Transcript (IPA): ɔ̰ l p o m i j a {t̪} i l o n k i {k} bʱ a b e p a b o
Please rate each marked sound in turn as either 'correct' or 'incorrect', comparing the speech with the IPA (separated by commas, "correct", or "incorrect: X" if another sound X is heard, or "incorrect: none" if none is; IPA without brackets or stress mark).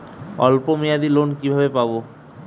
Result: incorrect: d̪, incorrect: none